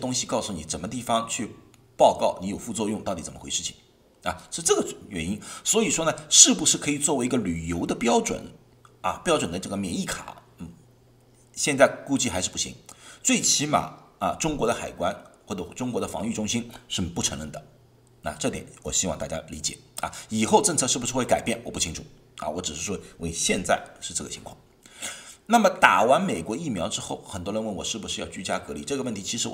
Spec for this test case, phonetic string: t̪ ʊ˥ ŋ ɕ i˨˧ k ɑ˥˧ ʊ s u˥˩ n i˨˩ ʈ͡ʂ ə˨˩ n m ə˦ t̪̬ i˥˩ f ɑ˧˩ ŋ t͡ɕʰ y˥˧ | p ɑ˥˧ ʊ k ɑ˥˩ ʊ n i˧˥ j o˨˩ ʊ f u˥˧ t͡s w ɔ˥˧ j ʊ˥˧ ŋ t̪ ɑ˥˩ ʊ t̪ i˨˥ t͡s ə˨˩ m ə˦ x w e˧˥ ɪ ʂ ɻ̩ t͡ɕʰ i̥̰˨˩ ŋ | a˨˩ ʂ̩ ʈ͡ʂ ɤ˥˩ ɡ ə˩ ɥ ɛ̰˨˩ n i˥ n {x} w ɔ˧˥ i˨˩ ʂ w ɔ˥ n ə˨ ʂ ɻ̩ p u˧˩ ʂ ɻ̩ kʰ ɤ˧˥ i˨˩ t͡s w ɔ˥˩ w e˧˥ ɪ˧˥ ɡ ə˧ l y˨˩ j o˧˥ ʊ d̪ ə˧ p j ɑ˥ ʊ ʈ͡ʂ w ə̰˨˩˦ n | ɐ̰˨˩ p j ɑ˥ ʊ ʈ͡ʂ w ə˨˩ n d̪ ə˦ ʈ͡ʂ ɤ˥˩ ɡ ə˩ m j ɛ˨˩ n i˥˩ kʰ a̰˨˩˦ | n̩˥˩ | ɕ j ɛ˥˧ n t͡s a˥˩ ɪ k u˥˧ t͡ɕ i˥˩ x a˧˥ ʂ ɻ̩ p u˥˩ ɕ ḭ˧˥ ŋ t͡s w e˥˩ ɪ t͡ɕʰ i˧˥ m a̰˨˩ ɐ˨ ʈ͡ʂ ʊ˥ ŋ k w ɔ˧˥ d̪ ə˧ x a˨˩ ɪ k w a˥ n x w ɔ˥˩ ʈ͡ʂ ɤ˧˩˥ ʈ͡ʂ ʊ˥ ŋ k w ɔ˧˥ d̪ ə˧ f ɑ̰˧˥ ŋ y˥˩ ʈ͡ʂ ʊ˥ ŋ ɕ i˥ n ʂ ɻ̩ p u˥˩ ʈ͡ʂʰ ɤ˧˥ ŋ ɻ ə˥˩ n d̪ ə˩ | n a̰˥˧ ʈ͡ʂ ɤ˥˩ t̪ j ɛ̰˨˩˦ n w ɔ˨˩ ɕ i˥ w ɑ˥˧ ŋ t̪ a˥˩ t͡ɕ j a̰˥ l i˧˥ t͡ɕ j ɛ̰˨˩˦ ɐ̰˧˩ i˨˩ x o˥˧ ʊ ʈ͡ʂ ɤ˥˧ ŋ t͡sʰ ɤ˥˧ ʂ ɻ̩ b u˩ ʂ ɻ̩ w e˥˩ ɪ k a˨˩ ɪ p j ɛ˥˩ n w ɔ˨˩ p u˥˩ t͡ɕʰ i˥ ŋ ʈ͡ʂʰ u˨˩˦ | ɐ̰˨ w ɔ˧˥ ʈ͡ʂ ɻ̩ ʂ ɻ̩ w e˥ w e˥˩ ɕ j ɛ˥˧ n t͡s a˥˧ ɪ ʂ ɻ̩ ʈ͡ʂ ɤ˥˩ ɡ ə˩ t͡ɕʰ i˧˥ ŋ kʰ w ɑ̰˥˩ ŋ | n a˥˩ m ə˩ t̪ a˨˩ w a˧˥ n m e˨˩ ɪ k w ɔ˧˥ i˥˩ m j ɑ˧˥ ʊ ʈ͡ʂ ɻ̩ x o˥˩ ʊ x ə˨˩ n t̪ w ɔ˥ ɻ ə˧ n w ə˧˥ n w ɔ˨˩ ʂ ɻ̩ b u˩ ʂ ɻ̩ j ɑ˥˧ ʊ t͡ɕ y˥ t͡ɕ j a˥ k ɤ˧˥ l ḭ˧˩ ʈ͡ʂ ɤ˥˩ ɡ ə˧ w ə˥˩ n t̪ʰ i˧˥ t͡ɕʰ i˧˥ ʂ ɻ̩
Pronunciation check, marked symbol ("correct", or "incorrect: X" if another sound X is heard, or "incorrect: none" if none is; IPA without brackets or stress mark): incorrect: s